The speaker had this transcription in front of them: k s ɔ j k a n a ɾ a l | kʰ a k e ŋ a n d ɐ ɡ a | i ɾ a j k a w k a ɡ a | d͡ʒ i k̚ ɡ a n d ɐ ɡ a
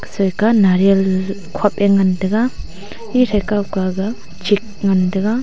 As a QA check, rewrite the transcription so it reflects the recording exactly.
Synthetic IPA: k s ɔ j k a n a ɾ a l | kʰ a p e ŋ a n d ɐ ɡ a | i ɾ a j k a w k a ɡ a | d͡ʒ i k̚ ŋ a n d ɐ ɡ a